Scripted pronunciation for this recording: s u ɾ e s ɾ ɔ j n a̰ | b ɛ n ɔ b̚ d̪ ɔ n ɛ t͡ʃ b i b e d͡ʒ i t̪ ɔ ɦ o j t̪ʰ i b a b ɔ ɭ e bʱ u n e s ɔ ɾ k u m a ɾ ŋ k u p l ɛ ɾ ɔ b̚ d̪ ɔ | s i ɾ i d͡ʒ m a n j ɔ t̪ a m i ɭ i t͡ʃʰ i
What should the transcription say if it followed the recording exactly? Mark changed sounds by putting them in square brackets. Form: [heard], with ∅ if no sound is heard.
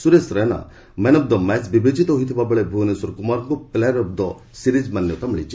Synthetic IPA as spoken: s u ɾ e s ɾ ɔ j n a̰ | [m] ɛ n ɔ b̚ d̪ ɔ [m] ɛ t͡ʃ b i b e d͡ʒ i t̪ ɔ ɦ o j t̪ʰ i b a b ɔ ɭ e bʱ u n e s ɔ ɾ k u m a ɾ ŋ k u p l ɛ ɾ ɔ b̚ d̪ ɔ | s i ɾ i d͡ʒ m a n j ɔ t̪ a m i ɭ i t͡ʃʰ i